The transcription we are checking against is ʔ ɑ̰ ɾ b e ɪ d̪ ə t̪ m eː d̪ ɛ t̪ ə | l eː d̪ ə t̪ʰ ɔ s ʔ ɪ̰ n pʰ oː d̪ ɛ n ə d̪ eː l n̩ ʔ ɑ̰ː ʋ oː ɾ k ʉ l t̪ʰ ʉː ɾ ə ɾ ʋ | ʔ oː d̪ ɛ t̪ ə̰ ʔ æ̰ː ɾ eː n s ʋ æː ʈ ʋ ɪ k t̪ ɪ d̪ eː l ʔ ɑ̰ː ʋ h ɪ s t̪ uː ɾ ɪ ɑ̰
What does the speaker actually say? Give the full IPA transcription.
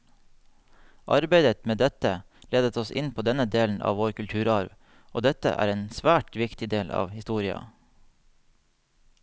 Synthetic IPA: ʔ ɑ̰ ɾ b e ɪ d̪ ə t̪ m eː d̪ ɛ t̪ ə | l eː d̪ ə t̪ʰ ɔ s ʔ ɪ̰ n pʰ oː d̪ ɛ n ə d̪ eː l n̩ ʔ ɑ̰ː ʋ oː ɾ k ʉ l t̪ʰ ʉː ɾ ɑ ɾ ʋ | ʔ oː d̪ ɛ t̪ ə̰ ʔ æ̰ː ɾ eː n s ʋ æː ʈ ʋ ɪ k t̪ ɪ d̪ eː l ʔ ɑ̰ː ʋ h ɪ s t̪ uː ɾ ɪ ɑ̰